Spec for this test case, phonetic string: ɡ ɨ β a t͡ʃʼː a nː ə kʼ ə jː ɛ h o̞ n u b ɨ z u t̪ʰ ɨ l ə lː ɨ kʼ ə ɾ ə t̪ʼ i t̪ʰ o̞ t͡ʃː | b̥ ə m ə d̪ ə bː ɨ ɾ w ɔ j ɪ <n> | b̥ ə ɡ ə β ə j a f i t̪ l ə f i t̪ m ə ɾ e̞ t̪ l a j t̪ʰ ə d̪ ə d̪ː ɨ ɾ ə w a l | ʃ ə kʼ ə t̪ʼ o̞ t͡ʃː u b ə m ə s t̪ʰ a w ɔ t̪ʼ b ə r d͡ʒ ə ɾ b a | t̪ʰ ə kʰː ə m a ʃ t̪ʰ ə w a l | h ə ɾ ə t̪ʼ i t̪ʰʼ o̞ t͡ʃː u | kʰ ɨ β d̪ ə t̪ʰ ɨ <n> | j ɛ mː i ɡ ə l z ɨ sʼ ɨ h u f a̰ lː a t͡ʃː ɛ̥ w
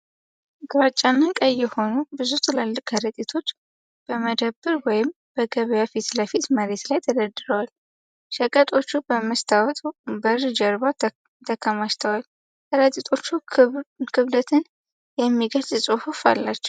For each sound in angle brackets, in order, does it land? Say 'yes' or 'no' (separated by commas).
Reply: no, yes